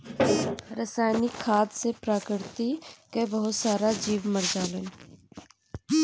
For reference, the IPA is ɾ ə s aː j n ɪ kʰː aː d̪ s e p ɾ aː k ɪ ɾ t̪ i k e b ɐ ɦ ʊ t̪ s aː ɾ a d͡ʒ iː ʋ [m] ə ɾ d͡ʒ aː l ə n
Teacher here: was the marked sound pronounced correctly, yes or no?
yes